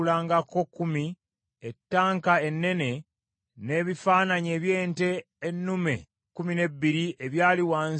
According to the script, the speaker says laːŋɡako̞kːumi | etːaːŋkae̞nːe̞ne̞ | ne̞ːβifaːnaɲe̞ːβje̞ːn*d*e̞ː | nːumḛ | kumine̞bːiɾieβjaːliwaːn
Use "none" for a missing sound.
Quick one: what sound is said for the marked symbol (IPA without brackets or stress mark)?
t